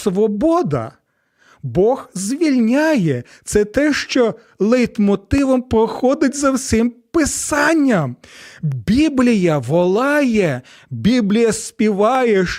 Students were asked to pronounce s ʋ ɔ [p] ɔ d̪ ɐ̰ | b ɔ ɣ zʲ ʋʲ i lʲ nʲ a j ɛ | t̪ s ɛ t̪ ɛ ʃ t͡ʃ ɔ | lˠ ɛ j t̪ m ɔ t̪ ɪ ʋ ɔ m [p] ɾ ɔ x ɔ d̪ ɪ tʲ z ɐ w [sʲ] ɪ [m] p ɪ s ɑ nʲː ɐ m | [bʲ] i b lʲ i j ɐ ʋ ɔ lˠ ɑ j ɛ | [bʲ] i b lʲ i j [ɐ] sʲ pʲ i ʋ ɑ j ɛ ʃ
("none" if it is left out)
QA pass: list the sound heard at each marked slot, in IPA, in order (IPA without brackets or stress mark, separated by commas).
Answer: b, p, sʲ, m, bʲ, bʲ, ɐ